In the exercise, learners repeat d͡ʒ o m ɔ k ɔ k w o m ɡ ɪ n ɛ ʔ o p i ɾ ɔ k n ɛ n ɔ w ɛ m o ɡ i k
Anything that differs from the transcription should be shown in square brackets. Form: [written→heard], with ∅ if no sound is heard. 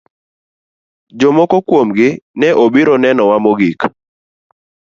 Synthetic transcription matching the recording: d͡ʒ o m ɔ k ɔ k w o m ɡ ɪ n ɛ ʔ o [p→b] i ɾ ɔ [k→∅] n ɛ n ɔ w [ɛ→a] m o ɡ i k

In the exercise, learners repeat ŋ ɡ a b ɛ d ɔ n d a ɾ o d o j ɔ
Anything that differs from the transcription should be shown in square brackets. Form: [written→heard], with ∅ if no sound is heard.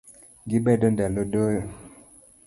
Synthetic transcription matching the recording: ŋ ɡ [a→i] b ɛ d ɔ n d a [ɾ→l] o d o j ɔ

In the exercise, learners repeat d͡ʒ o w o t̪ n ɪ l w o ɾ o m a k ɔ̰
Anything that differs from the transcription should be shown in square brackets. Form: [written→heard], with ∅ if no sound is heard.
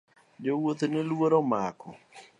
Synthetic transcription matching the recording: d͡ʒ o w o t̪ n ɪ l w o ɾ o m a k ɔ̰

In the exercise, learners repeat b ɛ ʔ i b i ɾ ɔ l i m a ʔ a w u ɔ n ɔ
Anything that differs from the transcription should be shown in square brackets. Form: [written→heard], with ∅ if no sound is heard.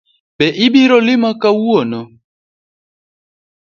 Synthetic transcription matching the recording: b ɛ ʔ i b i ɾ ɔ l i m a [ʔ→k] a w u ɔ n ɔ

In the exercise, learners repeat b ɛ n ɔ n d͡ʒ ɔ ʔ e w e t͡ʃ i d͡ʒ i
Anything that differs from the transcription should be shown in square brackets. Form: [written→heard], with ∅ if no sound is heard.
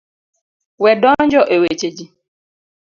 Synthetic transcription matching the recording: [b→w] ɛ [n→d] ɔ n d͡ʒ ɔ ʔ e w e t͡ʃ [i→e] d͡ʒ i

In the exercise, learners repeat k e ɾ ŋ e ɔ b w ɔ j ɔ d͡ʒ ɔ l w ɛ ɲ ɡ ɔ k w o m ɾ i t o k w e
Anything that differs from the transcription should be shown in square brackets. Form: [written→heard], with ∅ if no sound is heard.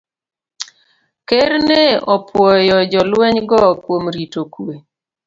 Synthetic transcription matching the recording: k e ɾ [ŋ→n] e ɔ [b→p] w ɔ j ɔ d͡ʒ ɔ l w ɛ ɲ ɡ ɔ k w o m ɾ i t o k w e

